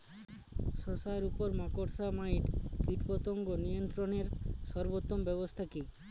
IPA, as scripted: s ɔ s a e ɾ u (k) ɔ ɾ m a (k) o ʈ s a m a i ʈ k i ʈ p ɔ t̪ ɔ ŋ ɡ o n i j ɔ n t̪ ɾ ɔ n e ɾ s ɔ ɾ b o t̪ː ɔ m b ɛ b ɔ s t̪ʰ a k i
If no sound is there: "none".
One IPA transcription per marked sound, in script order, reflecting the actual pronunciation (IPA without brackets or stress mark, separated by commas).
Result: p, k